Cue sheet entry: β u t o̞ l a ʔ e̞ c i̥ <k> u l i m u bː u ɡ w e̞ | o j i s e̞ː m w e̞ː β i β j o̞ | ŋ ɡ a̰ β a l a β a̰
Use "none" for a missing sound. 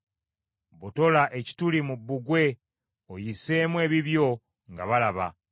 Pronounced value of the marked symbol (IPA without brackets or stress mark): t